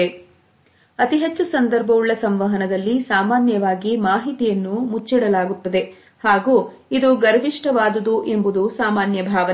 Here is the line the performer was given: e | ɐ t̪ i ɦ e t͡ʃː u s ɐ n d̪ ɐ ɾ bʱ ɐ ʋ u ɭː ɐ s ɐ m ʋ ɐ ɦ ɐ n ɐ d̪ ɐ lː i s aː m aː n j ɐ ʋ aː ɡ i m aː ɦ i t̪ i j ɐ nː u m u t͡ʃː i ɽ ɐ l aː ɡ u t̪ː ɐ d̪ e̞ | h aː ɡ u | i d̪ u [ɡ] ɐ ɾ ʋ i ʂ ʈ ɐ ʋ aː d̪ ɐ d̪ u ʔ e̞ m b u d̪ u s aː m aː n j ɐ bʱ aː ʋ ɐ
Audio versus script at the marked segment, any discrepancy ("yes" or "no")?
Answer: no